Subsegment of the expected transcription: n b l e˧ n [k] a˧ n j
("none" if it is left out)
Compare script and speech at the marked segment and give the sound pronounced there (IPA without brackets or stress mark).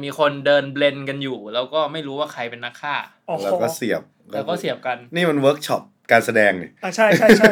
k